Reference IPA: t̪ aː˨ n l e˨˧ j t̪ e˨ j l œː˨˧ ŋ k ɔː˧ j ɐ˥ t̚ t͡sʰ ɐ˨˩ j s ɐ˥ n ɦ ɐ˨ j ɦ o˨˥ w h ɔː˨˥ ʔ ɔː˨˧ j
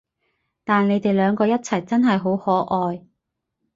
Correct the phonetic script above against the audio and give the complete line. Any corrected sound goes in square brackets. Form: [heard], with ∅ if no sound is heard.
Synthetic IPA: t̪ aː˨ n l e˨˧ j t̪ e˨ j l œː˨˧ ŋ k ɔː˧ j ɐ˥ t̚ t͡sʰ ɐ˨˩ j [t͡s] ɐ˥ n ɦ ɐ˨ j ɦ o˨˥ w h ɔː˨˥ ʔ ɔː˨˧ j